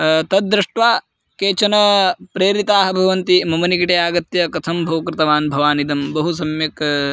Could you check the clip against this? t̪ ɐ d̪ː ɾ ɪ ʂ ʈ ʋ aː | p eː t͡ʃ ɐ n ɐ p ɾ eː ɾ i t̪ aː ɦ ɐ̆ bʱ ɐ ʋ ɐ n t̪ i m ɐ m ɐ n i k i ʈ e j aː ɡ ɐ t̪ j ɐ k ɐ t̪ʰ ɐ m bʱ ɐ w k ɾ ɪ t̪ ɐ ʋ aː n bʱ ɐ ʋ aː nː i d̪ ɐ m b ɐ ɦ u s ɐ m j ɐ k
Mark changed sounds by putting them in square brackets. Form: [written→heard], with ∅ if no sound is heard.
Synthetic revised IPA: t̪ ɐ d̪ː ɾ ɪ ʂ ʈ ʋ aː | [p→k] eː t͡ʃ ɐ n ɐ p ɾ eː ɾ i t̪ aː ɦ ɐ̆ bʱ ɐ ʋ ɐ n t̪ i m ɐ m ɐ n i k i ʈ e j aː ɡ ɐ t̪ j ɐ k ɐ t̪ʰ ɐ m bʱ ɐ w k ɾ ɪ t̪ ɐ ʋ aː n bʱ ɐ ʋ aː [nː→n] i d̪ ɐ m b ɐ ɦ u s ɐ m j ɐ k